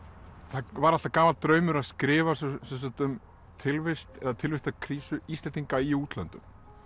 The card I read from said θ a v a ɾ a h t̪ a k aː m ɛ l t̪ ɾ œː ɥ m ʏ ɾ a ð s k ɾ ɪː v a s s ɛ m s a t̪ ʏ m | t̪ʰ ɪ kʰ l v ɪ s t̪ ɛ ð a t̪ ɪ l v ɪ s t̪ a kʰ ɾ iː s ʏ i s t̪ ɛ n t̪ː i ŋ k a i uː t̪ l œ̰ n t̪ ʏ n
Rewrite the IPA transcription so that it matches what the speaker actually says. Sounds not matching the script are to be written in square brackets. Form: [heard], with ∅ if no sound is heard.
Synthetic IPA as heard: θ a v a ɾ a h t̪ a k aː m [a] l t̪ ɾ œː ɥ m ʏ ɾ a ð s k ɾ ɪː v a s s ɛ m s a t̪ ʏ m | t̪ʰ ɪ [∅] l v ɪ s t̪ ɛ ð a [t̪ʰ] ɪ l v ɪ s t̪ a kʰ ɾ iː s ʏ i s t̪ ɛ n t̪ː i ŋ k a i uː t̪ l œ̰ n t̪ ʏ [m]